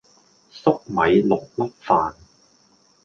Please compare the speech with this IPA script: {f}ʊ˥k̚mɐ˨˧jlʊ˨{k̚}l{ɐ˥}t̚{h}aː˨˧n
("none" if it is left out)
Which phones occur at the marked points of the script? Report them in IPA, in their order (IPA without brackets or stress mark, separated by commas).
s, k̚, ɐ˥, f